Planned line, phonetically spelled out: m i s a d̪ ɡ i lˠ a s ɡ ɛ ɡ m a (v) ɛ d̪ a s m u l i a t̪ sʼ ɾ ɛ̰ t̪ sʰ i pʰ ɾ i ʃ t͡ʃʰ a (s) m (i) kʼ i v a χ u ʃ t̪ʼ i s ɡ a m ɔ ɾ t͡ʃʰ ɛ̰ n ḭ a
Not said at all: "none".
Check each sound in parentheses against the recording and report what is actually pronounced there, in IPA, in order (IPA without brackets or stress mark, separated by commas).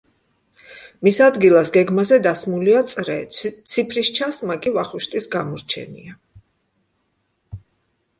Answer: z, s, a